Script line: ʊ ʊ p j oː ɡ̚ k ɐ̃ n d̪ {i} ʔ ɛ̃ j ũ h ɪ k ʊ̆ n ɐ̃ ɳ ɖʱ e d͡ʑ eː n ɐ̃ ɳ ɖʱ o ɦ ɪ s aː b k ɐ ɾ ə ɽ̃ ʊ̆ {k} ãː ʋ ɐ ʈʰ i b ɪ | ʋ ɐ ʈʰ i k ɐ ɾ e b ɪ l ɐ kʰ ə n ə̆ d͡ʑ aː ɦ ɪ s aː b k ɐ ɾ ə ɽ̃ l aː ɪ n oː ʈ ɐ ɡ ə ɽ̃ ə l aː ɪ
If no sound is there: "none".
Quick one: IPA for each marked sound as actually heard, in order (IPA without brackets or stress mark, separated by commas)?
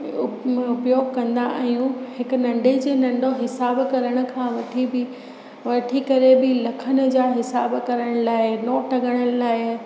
a, kʰ